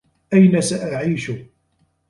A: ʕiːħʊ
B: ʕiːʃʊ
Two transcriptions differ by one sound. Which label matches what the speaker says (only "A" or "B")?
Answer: B